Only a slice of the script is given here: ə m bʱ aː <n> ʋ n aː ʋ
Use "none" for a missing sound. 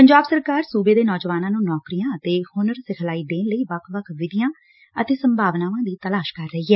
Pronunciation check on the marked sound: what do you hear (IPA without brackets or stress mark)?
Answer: none